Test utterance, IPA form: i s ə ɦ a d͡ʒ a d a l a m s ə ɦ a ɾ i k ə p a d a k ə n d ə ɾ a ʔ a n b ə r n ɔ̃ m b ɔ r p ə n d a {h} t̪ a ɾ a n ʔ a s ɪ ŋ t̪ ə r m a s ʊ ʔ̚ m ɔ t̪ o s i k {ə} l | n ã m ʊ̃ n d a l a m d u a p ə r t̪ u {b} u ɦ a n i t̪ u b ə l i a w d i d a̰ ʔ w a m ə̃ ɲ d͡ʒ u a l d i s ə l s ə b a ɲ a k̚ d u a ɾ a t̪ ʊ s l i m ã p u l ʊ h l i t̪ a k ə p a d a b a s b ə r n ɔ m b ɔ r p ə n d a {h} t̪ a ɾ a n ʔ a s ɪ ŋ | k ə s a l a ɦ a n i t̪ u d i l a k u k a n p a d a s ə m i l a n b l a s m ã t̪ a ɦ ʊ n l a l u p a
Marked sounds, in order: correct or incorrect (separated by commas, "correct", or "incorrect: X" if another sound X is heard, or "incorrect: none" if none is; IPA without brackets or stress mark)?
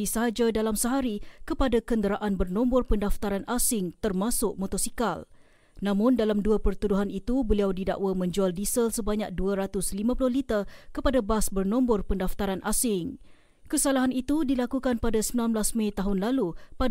incorrect: f, incorrect: a, incorrect: d, incorrect: f